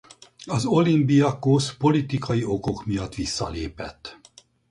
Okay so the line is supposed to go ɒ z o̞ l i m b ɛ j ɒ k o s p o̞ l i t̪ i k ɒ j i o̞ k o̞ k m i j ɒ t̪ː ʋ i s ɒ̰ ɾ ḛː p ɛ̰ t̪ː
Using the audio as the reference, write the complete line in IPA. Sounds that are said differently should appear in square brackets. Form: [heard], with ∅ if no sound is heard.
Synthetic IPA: ɒ z o̞ l i m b [i] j ɒ k o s p o̞ l i t̪ i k ɒ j i o̞ k o̞ k m i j ɒ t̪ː ʋ i [sː] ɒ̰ [l] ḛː p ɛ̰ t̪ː